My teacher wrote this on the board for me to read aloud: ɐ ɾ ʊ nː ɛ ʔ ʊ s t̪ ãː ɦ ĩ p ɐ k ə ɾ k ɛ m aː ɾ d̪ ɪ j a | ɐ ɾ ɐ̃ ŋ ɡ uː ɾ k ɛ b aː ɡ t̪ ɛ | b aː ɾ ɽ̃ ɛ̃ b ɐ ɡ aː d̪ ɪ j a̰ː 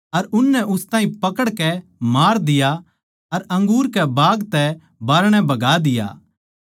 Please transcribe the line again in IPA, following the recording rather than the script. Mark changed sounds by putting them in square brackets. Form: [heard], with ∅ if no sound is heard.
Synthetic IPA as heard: ɐ ɾ ʊ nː ɛ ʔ ʊ s t̪ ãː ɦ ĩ p ɐ k ə [ɽ] k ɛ m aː ɾ d̪ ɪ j a | ɐ ɾ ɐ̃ ŋ ɡ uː ɾ k ɛ b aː ɡ t̪ ɛ | b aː ɾ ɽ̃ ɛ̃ b ɐ ɡ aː d̪ ɪ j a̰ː